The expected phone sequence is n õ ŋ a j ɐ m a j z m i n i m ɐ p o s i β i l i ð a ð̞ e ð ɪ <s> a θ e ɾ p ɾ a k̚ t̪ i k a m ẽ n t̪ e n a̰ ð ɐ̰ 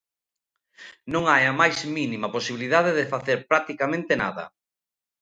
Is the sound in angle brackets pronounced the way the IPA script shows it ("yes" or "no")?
no